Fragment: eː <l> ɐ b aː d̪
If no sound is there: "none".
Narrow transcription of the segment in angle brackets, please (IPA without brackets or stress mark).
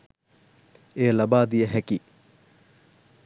l